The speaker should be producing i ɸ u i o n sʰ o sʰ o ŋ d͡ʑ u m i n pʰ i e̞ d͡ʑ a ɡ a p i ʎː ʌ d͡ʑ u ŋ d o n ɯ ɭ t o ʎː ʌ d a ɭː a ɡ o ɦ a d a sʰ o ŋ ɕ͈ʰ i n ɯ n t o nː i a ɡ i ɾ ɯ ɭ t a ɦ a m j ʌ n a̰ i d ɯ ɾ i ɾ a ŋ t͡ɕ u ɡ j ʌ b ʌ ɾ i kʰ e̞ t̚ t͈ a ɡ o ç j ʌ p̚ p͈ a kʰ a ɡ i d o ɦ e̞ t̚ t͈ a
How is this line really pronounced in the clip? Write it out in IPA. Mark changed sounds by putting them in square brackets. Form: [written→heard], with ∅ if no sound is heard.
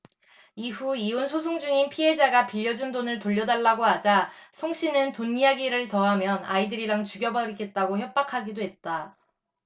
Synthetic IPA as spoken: i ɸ u i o n sʰ o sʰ o ŋ d͡ʑ u [m→ŋ] i n pʰ i e̞ d͡ʑ a ɡ a p i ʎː ʌ d͡ʑ u [ŋ→n] d o n ɯ ɭ t o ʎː ʌ d a ɭː a ɡ o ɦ a [d→d͡ʑ] a sʰ o ŋ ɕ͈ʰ i n ɯ n t o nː i a ɡ i ɾ ɯ ɭ t [a→ʌ] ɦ a m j ʌ n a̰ i d ɯ ɾ i ɾ a ŋ t͡ɕ u ɡ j ʌ b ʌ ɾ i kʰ e̞ t̚ t͈ a ɡ o ç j ʌ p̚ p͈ a kʰ a ɡ i d o ɦ e̞ t̚ t͈ a